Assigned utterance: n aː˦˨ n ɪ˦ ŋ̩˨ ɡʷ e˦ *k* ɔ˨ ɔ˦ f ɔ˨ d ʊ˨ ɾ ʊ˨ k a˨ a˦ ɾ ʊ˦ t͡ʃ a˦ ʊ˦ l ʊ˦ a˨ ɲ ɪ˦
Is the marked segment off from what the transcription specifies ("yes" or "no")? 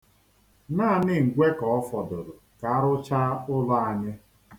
no